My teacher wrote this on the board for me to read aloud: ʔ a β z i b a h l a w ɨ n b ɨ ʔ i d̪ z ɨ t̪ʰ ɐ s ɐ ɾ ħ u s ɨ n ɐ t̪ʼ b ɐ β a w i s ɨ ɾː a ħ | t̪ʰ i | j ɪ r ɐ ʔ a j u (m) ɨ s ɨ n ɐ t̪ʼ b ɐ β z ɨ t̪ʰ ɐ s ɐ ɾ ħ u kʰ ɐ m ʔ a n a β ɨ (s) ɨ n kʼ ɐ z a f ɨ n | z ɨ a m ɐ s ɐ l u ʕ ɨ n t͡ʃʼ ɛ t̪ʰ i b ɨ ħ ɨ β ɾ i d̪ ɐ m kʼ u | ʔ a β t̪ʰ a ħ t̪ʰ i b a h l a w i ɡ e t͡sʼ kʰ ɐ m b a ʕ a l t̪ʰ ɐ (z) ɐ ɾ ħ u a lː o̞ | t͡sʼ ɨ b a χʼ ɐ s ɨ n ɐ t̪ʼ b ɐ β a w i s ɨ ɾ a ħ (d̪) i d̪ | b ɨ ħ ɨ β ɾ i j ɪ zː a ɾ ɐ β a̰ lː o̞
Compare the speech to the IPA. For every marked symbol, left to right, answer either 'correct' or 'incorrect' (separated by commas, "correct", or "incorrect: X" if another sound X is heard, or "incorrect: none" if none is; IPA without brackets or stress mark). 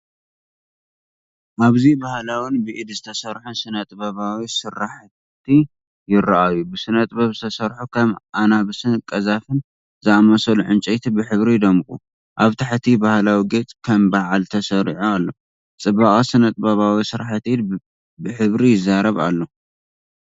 incorrect: b, correct, incorrect: s, incorrect: t̪